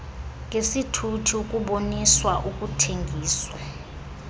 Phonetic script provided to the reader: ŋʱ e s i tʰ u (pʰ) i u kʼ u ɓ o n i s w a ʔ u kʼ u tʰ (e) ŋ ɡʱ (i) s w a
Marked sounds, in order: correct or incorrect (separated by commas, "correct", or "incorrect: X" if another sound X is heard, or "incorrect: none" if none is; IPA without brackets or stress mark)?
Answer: incorrect: tʰ, correct, incorrect: iː